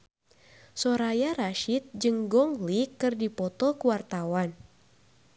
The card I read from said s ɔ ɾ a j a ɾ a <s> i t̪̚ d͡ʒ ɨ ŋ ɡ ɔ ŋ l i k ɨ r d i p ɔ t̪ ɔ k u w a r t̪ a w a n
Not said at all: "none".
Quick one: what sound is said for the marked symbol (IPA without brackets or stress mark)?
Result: ʃ